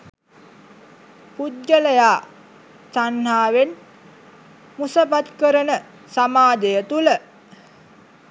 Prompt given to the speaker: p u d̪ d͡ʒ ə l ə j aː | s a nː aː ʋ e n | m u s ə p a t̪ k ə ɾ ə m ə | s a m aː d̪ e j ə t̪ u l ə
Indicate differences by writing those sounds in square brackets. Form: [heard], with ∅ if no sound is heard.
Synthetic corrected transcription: p u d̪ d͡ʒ ə l ə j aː | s a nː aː ʋ e n | m u s ə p a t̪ k ə ɾ ə [n] ə | s a m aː d̪ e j ə t̪ u l ə